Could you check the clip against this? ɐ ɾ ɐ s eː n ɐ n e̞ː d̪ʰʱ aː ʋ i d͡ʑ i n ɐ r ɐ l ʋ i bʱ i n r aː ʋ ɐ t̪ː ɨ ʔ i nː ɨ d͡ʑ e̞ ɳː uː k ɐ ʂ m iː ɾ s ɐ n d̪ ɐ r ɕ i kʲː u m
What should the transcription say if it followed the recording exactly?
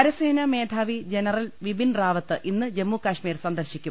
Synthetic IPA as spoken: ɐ ɾ ɐ s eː n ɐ m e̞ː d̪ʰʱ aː ʋ i d͡ʑ e n ɐ r ɐ l ʋ i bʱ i n r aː ʋ ɐ t̪ː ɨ ʔ i nː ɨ d͡ʑ e̞ mː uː k ɐ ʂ m iː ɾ s ɐ n d̪ ɐ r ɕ i kʲː u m